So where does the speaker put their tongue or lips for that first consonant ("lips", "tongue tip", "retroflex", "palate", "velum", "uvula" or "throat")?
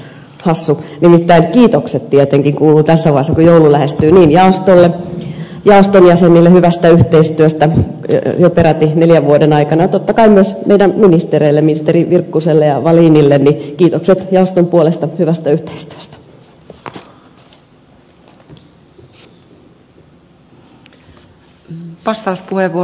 throat